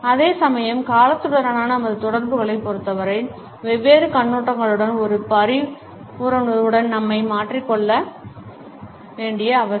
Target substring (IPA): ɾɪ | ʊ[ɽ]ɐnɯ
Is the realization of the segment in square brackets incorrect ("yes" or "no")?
yes